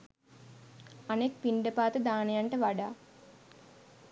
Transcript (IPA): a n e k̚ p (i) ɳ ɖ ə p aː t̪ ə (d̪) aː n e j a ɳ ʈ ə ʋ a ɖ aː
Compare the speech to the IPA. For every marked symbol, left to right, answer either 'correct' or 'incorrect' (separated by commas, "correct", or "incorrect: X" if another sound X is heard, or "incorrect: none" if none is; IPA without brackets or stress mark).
correct, correct